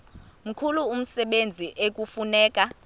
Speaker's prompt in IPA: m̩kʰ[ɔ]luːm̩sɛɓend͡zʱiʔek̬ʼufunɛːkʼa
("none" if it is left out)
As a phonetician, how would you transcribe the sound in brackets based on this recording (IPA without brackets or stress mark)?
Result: u